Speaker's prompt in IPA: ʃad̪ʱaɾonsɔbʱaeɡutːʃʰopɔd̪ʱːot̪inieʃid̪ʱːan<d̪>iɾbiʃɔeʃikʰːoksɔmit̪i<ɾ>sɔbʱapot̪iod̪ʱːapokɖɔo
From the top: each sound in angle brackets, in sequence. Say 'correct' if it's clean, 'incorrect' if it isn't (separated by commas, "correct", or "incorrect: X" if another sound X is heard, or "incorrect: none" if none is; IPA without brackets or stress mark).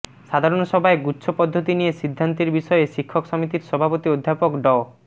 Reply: incorrect: t̪, correct